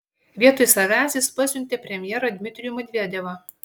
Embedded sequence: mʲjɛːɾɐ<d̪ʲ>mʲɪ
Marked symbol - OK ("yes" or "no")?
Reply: yes